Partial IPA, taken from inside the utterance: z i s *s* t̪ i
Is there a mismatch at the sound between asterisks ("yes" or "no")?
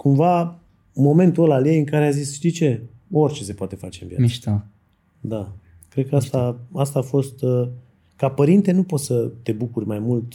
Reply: yes